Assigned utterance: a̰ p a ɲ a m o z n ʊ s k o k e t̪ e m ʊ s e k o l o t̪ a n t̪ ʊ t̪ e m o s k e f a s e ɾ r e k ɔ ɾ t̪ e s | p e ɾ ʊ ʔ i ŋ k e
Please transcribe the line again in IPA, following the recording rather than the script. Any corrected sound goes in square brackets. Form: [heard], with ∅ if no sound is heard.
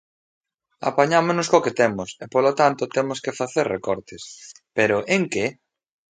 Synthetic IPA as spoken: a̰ p a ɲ a m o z n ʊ s k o k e t̪ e m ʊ s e [p] o l o t̪ a n t̪ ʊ t̪ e m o s k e f a [θ] e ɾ r e k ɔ ɾ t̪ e s | p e ɾ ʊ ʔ [e] ŋ k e